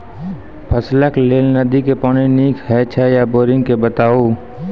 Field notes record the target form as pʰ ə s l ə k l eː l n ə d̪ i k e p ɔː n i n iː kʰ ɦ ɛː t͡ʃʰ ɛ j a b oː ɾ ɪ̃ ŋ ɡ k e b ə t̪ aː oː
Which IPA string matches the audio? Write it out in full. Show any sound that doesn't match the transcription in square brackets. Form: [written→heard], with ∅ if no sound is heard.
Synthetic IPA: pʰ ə s l ə k l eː l n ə d̪ i k e p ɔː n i n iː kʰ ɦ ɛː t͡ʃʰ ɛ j a b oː ɾ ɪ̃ ŋ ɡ k e b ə t̪ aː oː